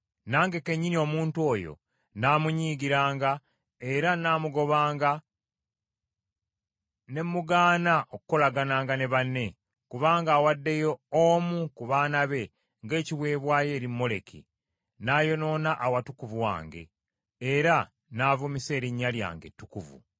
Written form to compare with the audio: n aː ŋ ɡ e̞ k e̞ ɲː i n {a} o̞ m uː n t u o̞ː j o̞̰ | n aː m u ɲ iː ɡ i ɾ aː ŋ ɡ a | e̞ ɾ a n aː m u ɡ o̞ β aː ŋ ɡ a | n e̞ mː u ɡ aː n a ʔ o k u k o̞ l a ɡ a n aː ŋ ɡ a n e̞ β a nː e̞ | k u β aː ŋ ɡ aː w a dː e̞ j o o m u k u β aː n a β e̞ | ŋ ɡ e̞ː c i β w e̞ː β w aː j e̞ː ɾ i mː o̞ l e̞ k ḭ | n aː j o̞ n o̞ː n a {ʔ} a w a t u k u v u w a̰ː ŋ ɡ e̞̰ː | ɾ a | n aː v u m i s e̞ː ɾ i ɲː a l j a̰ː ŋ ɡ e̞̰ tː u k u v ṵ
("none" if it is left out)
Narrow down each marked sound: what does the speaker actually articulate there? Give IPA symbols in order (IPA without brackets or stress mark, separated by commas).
i, ʔ